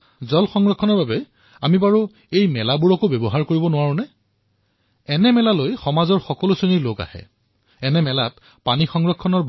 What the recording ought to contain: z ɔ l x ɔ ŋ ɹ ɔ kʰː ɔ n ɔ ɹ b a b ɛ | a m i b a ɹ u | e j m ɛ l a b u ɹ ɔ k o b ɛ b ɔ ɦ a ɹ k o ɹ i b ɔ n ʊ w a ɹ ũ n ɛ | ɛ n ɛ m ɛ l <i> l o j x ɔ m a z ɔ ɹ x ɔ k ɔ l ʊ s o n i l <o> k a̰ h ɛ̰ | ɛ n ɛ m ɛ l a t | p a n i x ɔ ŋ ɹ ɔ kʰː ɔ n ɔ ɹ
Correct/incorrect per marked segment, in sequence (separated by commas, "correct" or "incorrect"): incorrect, correct